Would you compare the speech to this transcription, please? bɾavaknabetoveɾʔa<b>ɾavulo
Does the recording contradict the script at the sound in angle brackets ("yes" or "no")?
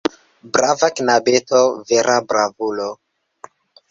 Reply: no